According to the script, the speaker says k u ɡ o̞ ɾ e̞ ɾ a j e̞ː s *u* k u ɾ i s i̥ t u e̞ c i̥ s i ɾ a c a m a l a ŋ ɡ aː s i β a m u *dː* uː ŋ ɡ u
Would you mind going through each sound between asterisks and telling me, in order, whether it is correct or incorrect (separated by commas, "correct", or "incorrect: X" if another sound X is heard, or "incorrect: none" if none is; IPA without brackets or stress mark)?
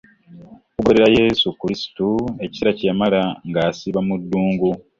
correct, correct